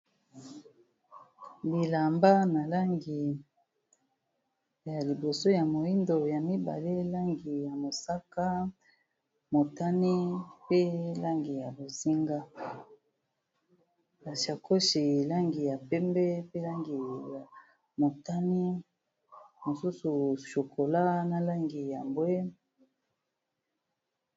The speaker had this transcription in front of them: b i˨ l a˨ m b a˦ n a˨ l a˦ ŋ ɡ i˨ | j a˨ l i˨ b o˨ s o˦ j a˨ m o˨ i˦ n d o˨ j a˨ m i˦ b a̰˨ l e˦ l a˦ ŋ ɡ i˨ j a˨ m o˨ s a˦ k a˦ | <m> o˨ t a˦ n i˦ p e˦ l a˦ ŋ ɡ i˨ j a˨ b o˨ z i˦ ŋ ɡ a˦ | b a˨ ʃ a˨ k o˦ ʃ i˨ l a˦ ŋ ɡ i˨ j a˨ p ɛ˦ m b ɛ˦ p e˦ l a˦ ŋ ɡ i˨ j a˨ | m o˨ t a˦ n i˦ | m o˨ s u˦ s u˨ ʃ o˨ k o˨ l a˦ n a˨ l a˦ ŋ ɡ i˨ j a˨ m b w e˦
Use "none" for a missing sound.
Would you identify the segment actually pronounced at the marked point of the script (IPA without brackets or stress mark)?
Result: m